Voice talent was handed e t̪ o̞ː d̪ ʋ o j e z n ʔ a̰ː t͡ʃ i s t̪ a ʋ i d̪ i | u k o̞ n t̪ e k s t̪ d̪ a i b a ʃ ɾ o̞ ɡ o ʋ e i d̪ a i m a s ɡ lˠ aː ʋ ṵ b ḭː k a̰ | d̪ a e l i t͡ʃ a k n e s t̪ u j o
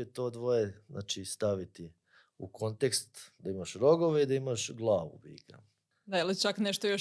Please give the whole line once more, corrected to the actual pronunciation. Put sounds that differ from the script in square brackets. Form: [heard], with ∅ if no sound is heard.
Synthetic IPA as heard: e t̪ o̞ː d̪ ʋ o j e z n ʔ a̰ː t͡ʃ i s t̪ a ʋ i [t̪] i | u k o̞ n t̪ e k s t̪ d̪ a i [m] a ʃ ɾ o̞ ɡ o ʋ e i d̪ a i m a [ʃ] ɡ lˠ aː ʋ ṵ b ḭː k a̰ | d̪ a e l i t͡ʃ a k n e [ʃ] t̪ [o] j o